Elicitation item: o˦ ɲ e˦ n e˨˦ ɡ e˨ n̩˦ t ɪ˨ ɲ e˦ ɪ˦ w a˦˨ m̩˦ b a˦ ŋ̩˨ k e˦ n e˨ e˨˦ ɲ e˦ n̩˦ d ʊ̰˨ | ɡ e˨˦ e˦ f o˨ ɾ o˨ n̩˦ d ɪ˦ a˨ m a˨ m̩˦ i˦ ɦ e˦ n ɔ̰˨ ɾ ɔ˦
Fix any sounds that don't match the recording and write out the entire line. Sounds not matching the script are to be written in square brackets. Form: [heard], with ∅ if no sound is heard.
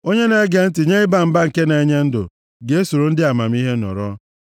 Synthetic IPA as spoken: o˦ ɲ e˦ n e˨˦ ɡ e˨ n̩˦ t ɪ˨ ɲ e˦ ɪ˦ [b] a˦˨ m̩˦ b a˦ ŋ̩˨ k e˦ n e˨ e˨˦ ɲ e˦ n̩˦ d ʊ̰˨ | ɡ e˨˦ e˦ [s] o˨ ɾ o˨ n̩˦ d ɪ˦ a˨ m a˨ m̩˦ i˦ ɦ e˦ n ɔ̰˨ ɾ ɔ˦